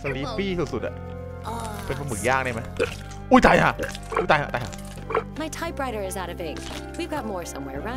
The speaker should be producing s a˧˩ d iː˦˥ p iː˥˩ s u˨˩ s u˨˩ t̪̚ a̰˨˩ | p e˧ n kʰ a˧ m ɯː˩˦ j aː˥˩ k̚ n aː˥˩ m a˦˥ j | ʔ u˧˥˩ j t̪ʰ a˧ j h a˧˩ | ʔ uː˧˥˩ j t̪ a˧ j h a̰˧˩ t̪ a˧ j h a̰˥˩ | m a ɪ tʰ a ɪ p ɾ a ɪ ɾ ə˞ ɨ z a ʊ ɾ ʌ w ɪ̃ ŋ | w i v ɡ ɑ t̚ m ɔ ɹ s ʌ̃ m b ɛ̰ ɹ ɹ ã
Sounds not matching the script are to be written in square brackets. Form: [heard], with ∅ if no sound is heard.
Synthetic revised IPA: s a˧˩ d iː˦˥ p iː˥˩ s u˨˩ s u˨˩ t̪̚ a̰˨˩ | p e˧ n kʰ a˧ m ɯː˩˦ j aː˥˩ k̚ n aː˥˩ m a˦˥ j | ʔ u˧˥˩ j [t̪] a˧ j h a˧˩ | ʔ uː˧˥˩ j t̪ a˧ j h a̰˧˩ t̪ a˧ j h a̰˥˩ | m a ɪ tʰ a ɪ p [ɹ] a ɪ ɾ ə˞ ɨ z a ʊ ɾ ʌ [v] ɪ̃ ŋ | w i v ɡ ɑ t̚ m ɔ ɹ s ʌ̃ m [w] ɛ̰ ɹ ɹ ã